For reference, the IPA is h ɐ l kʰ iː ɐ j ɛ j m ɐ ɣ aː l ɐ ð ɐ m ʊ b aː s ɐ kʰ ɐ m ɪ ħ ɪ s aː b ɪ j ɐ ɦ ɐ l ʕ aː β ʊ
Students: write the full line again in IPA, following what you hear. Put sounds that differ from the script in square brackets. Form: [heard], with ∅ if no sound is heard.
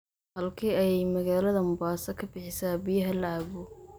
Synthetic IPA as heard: h ɐ l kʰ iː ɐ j ɛ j m ɐ ɣ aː l ɐ ð ɐ m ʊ b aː s ɐ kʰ ɐ [b] ɪ ħ ɪ s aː b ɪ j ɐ ɦ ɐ l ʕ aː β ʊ